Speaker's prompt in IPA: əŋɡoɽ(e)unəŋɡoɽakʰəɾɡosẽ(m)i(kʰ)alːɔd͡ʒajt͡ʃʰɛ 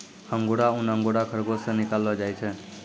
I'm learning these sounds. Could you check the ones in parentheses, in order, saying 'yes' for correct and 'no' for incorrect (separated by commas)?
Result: no, no, no